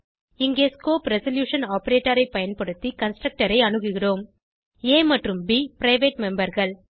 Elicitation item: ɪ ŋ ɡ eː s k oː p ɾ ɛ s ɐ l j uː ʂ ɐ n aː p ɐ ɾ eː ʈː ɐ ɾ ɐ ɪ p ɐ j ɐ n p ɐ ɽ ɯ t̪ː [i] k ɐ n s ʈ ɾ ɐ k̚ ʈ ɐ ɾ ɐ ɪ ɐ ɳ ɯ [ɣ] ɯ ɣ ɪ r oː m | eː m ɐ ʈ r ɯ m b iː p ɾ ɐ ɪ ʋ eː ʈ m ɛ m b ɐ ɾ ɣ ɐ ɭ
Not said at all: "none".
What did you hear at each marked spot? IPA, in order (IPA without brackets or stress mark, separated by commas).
i, ɣ